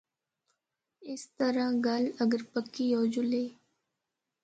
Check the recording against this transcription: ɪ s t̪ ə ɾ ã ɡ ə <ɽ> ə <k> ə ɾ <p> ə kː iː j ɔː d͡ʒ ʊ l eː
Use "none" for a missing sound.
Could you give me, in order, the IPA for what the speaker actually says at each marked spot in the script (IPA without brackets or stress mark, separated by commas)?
l, ɡ, p